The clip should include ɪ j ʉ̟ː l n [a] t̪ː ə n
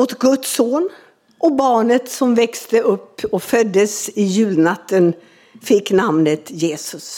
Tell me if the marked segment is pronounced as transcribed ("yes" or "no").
yes